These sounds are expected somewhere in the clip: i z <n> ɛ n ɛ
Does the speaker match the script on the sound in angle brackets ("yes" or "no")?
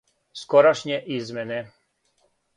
no